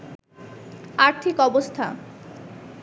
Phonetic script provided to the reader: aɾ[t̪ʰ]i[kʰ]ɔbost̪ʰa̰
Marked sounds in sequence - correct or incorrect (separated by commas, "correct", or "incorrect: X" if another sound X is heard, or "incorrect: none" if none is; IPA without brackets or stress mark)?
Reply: correct, incorrect: k